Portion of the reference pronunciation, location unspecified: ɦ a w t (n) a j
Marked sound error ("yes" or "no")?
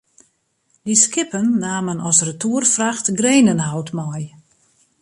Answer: yes